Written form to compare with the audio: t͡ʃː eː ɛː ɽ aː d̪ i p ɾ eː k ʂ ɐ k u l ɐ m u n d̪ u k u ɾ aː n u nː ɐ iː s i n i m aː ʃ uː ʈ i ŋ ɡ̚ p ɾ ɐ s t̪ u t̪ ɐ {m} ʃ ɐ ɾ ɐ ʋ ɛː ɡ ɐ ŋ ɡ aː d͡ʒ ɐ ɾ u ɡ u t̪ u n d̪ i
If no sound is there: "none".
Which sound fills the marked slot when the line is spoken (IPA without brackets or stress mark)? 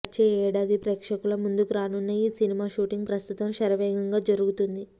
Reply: m